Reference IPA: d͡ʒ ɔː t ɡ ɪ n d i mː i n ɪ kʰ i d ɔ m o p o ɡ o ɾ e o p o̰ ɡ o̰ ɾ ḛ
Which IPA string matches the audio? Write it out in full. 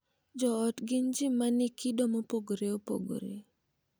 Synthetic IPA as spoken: d͡ʒ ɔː t ɡ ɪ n d͡ʒ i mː a n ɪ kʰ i d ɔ m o p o ɡ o ɾ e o p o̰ ɡ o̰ ɾ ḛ

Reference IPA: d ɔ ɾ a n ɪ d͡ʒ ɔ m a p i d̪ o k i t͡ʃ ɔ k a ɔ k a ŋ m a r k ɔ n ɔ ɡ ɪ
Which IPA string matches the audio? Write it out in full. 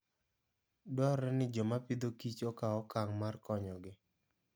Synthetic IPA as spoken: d ɔ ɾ ɛ n ɪ d͡ʒ ɔ m a p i d̪ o k i t͡ʃ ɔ k a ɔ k a ŋ m a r k ɔ ɲ ɔ ɡ ɪ

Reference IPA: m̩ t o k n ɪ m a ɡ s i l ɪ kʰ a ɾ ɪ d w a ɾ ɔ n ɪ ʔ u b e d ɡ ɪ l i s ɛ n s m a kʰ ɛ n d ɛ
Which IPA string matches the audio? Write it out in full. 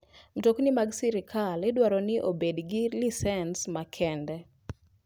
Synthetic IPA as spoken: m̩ t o k n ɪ m a ɡ s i ɾ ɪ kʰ a l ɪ d w a ɾ ɔ n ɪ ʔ o b e d ɡ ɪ l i s ɛ n s m a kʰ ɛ n d ɛ

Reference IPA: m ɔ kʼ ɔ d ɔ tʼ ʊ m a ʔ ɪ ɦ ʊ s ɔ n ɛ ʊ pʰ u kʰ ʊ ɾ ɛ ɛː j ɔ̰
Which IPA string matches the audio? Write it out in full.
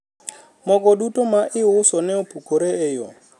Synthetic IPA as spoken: m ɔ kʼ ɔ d u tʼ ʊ m a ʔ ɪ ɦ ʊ s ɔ n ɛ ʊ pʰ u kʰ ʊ ɾ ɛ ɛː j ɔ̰

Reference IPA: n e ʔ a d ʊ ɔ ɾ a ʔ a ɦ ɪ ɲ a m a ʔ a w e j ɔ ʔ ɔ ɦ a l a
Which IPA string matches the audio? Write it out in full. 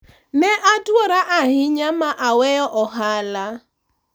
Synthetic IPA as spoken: n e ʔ a d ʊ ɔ ɾ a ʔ a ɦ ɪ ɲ a m a ʔ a w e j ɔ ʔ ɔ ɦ a l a

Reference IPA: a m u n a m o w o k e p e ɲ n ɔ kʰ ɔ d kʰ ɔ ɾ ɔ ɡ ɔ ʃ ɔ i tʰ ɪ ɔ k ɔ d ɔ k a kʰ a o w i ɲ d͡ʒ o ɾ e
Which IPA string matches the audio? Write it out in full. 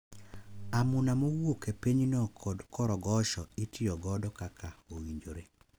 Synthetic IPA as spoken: a m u n a m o w o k e p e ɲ n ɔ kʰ ɔ d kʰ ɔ ɾ ɔ ɡ ɔ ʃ ɔ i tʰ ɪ ɔ ɡ ɔ d ɔ k a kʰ a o w i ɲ d͡ʒ o ɾ e

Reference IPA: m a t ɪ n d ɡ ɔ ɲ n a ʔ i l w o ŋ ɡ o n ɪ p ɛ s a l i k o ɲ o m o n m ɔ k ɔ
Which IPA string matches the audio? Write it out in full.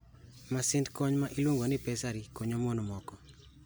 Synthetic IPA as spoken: m a s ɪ n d k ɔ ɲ m a ʔ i l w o ŋ ɡ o n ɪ p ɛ s a ɾ i k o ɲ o m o n m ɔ k ɔ

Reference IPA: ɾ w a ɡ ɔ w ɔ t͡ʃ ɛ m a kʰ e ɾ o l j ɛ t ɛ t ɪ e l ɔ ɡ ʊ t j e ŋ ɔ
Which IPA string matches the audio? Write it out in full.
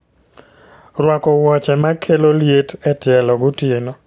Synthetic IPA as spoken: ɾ w a k ɔ w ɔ t͡ʃ ɛ m a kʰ e l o l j e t ɛ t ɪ ɛ l ɔ ɡ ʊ t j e n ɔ

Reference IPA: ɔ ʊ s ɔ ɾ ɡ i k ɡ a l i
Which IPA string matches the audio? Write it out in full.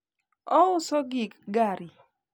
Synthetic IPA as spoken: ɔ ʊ s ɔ ɡ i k ɡ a ɾ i

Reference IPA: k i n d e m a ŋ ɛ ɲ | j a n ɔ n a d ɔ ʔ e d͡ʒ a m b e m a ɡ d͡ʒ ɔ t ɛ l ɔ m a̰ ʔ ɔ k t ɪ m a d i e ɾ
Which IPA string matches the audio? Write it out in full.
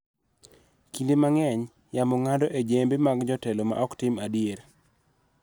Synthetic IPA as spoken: k i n d e m a ŋ ɛ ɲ | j a m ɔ ŋ a d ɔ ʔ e d͡ʒ e m b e m a ɡ d͡ʒ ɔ t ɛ l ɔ m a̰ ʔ ɔ k t ɪ m a d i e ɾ

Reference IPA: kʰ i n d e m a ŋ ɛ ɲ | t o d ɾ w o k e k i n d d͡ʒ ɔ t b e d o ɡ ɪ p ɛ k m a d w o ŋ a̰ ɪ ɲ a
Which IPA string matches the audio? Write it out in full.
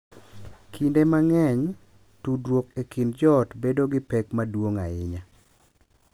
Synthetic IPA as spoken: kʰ i n d e m a ŋ ɛ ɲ | t u d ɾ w o k e k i n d d͡ʒ ɔ t b e d o ɡ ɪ p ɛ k m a d w o ŋ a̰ ɪ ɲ a

